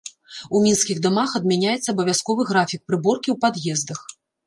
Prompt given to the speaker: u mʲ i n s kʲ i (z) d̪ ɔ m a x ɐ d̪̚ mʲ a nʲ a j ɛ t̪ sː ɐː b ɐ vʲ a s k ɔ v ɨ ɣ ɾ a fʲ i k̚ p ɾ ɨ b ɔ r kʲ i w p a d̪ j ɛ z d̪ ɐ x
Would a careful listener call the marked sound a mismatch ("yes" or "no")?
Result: yes